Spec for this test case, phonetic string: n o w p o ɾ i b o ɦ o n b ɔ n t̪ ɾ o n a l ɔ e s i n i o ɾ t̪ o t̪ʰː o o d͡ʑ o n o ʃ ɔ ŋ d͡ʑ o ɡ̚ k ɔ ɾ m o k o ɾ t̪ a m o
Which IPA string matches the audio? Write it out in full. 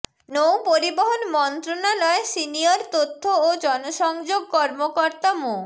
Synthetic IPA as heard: n o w p o ɾ i b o ɦ o n m ɔ n t̪ ɾ o n a l ɔ e s i n i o ɾ t̪ o t̪ʰː o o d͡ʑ ɔ n o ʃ ɔ ŋ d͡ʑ o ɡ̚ k ɔ ɾ m o k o ɾ t̪ a m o